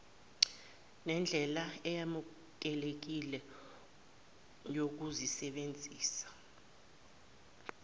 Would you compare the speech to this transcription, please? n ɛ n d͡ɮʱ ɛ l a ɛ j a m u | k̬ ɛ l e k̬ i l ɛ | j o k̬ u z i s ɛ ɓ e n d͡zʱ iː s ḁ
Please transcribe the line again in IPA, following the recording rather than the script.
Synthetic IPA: n ɛ n d͡ɮʱ ɛ l a ɛ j a m u | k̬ ɛ l e k̬ i l ɛ | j o k̬ u z i s ɛ ɓ e n d͡zʱ iː s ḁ